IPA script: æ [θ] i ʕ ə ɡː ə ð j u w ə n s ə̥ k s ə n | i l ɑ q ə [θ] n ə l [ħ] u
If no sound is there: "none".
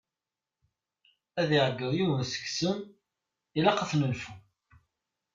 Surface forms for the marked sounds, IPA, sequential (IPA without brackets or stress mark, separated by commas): ð, θ, f